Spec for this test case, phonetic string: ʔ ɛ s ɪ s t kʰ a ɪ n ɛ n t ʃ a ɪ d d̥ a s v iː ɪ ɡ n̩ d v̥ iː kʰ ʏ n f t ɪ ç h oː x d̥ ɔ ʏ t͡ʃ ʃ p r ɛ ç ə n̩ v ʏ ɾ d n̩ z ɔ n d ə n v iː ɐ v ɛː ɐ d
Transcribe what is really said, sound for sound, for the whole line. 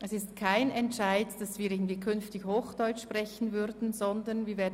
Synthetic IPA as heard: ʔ ɛ s ɪ s t kʰ a ɪ n ɛ n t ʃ a ɪ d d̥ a s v iː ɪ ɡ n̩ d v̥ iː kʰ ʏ n f t ɪ ç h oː x d̥ ɔ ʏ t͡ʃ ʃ p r ɛ ç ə n̩ v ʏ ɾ d n̩ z ɔ n d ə n v iː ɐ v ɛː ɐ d